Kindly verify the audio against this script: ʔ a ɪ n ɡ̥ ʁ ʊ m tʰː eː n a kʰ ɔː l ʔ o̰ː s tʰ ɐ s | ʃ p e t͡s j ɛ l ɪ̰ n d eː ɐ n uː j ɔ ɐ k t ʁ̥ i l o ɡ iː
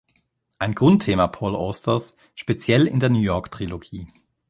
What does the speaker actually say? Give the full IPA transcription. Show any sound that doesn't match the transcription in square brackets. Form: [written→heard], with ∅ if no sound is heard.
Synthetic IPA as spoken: ʔ a ɪ n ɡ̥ ʁ ʊ [m→n] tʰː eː [n→m] a [kʰ→pʰ] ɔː l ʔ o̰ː s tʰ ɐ s | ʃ p e t͡s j ɛ l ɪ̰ n d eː ɐ n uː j ɔ ɐ k t ʁ̥ i l o ɡ iː

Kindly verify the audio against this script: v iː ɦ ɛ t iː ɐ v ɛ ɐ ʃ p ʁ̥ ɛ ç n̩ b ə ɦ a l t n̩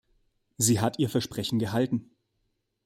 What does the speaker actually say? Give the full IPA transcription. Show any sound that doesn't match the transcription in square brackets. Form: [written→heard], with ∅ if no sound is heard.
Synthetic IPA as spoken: [v→z] iː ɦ [ɛ→a] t iː ɐ [v→f] ɛ ɐ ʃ p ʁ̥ ɛ ç n̩ [b→ɡ] ə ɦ a l t n̩

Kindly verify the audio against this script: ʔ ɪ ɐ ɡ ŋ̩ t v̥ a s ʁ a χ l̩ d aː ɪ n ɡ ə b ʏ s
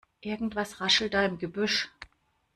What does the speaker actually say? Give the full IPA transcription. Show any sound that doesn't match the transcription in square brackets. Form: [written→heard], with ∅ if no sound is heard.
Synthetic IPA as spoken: ʔ ɪ ɐ ɡ ŋ̩ t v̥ a s ʁ a [χ→ʃ] l̩ d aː ɪ [n→m] ɡ ə b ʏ [s→ʃ]

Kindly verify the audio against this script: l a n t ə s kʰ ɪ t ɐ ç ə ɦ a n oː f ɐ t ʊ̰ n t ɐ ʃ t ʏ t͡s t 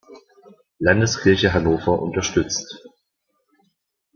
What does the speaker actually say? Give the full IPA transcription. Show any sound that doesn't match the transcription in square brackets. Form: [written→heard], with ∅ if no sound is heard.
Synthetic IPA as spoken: l a n [t→d] ə s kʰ ɪ [t→∅] ɐ ç ə ɦ a n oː f ɐ [t→ʔ] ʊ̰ n t ɐ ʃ t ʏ t͡s t

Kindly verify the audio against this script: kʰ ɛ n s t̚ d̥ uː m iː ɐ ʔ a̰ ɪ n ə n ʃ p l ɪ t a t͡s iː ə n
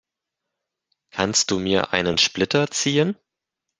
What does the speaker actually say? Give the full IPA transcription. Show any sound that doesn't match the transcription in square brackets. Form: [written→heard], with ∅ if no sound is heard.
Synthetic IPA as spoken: kʰ [ɛ→a] n s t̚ d̥ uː m iː ɐ ʔ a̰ ɪ n ə n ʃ p l ɪ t [a→ɐ] t͡s iː ə n

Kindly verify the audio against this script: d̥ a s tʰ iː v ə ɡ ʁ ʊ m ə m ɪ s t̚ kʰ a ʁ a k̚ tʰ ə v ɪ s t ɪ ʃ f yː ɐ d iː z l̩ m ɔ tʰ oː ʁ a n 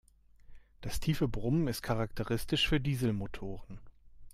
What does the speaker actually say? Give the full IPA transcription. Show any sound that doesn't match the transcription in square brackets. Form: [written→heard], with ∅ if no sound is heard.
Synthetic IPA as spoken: d̥ a s tʰ iː [v→f] ə [ɡ→b] ʁ ʊ m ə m ɪ s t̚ kʰ a ʁ a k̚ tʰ ə [v→ʁ] ɪ s t ɪ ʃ f yː ɐ d iː z l̩ m [ɔ→o] tʰ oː ʁ [a→ə] n

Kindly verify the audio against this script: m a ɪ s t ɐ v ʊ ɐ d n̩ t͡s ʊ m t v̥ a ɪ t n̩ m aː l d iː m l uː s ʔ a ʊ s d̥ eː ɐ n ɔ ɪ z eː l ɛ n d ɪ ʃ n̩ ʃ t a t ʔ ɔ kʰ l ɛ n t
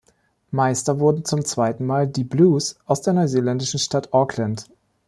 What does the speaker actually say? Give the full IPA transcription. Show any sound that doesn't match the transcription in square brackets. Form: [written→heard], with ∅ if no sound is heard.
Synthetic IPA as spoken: m a ɪ s t ɐ v ʊ ɐ d n̩ t͡s ʊ m [t→t͡s] v̥ a ɪ t n̩ m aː l d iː [m→b] l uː s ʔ a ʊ s d̥ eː ɐ n ɔ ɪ z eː l ɛ n d ɪ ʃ n̩ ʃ t a t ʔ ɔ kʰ l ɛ n t

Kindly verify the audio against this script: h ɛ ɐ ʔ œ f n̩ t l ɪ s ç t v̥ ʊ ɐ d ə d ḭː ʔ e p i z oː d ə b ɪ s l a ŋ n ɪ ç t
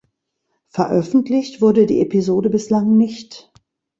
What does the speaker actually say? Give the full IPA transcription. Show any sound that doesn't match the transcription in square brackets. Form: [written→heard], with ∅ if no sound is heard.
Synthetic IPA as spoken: [h→f] ɛ ɐ ʔ œ f n̩ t l ɪ [s→∅] ç t v̥ ʊ ɐ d ə d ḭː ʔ e p i z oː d ə b ɪ s l a ŋ n ɪ ç t

